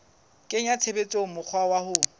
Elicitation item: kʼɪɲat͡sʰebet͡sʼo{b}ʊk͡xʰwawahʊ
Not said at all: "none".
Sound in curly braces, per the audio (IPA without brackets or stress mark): m